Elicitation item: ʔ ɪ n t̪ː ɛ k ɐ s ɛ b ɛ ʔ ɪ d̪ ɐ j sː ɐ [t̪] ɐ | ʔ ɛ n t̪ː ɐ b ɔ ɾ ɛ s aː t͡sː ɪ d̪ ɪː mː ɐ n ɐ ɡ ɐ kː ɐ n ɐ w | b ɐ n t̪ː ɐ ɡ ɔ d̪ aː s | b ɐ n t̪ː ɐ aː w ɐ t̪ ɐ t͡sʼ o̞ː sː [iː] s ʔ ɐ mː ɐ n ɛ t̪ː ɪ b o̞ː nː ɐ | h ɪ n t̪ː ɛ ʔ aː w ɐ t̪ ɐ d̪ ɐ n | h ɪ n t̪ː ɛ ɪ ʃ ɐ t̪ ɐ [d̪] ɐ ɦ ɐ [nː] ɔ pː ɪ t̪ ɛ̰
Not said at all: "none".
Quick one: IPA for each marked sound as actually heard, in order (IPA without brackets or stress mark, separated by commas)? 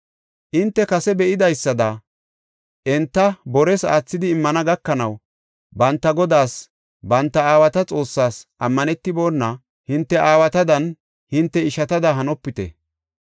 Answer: d̪, aː, d̪, n